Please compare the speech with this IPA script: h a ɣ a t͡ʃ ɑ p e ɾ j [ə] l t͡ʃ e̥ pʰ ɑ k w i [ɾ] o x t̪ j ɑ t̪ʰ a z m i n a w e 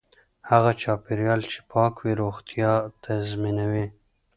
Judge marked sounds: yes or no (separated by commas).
no, yes